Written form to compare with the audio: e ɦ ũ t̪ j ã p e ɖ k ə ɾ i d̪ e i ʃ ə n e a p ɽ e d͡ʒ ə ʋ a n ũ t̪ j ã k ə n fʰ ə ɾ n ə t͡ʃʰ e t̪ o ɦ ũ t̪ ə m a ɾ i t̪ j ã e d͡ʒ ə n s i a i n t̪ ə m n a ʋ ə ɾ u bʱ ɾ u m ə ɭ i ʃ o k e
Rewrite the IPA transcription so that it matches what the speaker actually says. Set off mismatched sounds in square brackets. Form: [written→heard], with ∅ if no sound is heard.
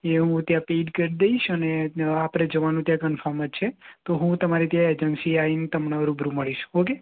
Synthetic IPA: e ɦ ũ t̪ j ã p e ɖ k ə ɾ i d̪ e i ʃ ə n e a p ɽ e d͡ʒ ə ʋ a n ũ t̪ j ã k ə n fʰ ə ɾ [n→m] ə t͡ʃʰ e t̪ o ɦ ũ t̪ ə m a ɾ i t̪ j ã e d͡ʒ ə n s i a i n t̪ ə m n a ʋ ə ɾ u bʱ ɾ u m ə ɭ i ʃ o k e